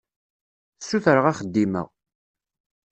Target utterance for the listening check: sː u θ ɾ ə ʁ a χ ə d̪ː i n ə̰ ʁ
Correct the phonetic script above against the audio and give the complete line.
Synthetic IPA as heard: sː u θ ɾ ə ʁ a χ ə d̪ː i m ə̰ ʁ